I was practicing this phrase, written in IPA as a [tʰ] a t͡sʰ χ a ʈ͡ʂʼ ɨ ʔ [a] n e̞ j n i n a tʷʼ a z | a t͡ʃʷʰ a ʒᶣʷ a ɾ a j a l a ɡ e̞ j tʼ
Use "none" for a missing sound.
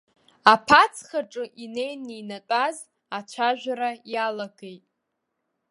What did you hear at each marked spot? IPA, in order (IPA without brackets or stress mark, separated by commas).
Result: pʰ, i